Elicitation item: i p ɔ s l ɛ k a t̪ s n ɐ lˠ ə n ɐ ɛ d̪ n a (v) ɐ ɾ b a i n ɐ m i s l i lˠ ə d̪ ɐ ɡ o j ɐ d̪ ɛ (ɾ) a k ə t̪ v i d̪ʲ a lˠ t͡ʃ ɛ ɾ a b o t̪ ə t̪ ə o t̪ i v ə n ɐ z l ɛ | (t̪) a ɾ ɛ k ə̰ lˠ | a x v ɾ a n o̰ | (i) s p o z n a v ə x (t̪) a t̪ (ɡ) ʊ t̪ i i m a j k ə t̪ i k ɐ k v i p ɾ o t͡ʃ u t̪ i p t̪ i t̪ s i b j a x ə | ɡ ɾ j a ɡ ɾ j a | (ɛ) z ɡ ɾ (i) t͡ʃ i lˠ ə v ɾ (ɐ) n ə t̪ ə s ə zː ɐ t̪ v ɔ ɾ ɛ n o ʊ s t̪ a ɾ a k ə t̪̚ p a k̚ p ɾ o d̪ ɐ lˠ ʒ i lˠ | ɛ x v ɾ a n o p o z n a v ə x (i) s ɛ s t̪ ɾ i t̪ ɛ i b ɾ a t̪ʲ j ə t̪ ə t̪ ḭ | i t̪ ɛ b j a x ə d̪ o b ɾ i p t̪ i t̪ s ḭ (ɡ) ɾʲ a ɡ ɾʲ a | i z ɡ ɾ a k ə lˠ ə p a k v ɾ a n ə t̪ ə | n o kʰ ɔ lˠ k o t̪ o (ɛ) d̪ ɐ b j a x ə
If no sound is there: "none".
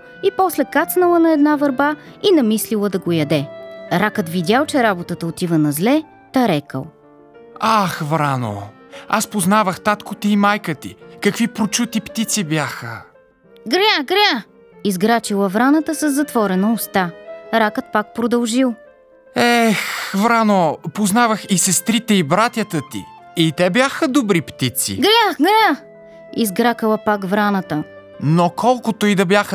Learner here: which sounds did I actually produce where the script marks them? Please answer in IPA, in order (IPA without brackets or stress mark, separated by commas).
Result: v, ɾ, t̪, a, t̪, k, i, a, a, i, ɡ, i